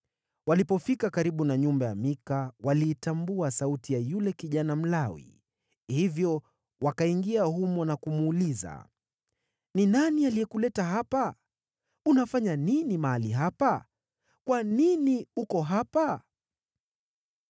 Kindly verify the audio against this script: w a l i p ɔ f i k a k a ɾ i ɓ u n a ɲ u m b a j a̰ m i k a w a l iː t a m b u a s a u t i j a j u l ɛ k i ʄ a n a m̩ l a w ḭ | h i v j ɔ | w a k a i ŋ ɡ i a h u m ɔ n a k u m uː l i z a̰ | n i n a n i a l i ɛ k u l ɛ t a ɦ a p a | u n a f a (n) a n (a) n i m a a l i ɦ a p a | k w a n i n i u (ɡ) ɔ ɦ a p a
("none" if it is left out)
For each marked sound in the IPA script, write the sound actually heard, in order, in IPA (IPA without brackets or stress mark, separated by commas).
ɲ, i, k